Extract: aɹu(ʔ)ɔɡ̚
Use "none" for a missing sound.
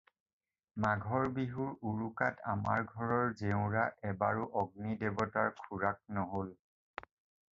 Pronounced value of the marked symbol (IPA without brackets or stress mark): ʔ